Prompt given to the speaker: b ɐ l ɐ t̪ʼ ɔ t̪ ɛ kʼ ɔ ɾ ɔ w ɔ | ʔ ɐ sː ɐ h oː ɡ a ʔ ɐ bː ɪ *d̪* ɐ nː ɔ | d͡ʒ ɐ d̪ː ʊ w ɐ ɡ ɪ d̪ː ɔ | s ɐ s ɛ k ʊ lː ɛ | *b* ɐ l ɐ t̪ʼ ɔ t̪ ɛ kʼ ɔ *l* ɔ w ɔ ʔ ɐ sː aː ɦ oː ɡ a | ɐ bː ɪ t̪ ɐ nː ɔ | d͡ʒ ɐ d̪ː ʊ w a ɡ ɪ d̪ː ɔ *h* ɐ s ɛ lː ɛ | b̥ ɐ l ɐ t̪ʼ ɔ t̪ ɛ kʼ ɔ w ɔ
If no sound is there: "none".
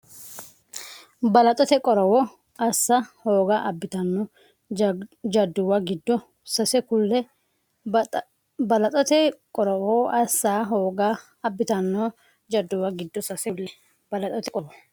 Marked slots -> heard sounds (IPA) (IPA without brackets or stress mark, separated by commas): t̪, b, ɾ, s